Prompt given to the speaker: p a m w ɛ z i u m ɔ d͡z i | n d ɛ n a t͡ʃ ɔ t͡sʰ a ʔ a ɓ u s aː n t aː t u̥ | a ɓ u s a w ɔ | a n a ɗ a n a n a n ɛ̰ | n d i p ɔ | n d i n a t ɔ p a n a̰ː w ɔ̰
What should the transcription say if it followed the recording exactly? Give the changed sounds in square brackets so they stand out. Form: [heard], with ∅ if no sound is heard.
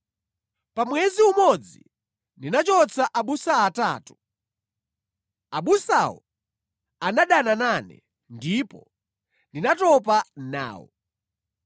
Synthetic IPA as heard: p a m w ɛ z i u m ɔ d͡z i | n d [i] n a t͡ʃ ɔ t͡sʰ a ʔ a ɓ u s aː [∅] t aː t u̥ | a ɓ u s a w ɔ | a n a ɗ a n a n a n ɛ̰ | n d i p ɔ | n d i n a t ɔ p a n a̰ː w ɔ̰

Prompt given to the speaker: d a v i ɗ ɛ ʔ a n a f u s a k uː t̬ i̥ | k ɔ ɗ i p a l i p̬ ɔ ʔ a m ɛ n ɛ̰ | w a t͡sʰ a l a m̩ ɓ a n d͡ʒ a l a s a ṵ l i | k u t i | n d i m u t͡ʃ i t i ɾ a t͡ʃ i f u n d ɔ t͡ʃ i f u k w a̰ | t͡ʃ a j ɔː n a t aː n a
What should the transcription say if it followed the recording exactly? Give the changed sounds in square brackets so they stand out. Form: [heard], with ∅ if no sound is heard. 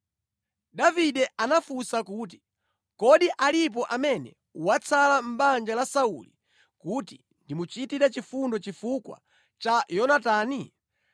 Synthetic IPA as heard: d a v i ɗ ɛ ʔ a n a f u s a k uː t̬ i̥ | k ɔ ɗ i [ʔ] a l i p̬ ɔ ʔ a m ɛ n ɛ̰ | w a t͡sʰ a l a m̩ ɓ a n d͡ʒ a l a s a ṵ l i | k u t i | n d i m u t͡ʃ i t i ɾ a t͡ʃ i f u n d ɔ t͡ʃ i f u k w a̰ | t͡ʃ a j [ɔ] n a t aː n [i]

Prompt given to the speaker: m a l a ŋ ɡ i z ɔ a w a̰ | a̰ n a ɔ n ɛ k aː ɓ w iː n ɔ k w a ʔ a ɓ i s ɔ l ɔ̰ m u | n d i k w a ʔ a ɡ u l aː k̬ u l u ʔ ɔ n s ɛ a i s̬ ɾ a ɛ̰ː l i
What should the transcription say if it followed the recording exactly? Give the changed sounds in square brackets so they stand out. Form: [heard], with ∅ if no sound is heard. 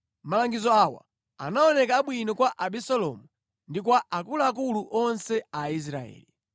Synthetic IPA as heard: m a l a ŋ ɡ i z ɔ a w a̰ | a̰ n a ɔ n ɛ k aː ɓ w [i] n ɔ k w a ʔ a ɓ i s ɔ l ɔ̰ m u | n d i k w a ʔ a [k] u l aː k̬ u l u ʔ ɔ n s ɛ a i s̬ ɾ a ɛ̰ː l i

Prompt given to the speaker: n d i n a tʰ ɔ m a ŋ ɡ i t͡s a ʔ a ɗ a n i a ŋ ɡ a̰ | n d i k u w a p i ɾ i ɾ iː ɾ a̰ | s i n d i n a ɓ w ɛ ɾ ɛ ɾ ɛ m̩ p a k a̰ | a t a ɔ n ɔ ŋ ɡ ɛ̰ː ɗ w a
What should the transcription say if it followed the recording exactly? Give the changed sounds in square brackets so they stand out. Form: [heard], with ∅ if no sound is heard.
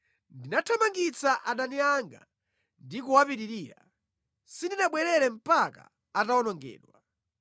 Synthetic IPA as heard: n d i n a tʰ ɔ m a ŋ ɡ i t͡s a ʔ a ɗ a n i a ŋ ɡ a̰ | n d i k u w a p i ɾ i ɾ iː ɾ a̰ | s i n d i n a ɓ w ɛ ɾ ɛ ɾ ɛ m̩ p a k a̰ | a t a ɔ n ɔ ŋ ɡ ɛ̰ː ɗ w a

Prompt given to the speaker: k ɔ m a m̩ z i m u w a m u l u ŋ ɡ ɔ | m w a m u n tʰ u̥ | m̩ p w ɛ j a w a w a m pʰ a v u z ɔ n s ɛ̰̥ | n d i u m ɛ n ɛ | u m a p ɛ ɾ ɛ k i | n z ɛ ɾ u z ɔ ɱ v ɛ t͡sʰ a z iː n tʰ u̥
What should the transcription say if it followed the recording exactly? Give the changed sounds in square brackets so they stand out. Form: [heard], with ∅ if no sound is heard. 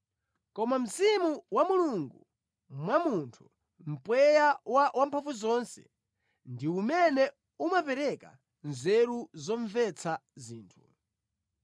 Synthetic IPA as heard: k ɔ m a m̩ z i m u w a m u l u ŋ ɡ [u] | m w a m u n tʰ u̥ | m̩ p w ɛ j a w a w a m pʰ a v u z ɔ n s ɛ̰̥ | n d i u m ɛ n ɛ | u m a p ɛ ɾ ɛ k [a] | n z ɛ ɾ u z ɔ ɱ v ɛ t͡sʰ a z iː n tʰ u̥

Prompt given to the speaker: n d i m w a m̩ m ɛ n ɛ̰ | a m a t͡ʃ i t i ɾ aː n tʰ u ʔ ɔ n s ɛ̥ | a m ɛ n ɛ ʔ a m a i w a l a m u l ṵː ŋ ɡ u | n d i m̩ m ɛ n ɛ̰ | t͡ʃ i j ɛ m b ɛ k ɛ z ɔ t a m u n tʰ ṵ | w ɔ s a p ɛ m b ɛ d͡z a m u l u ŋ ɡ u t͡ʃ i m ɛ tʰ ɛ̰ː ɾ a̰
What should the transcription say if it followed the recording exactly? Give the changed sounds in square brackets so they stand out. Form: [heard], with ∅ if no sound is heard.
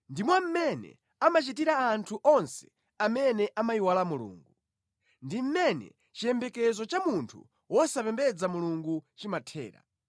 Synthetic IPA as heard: n d i m w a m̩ m ɛ n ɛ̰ | a m a t͡ʃ i t i ɾ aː n tʰ u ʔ ɔ n s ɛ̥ | a m ɛ n ɛ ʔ a m a i w a l a m u l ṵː ŋ ɡ u | n d i m̩ m ɛ n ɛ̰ | t͡ʃ i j ɛ m b ɛ k ɛ z ɔ [t͡ʃ] a m u n tʰ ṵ | w ɔ s a p ɛ m b ɛ d͡z a m u l u ŋ ɡ u t͡ʃ i m [a] tʰ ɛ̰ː ɾ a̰

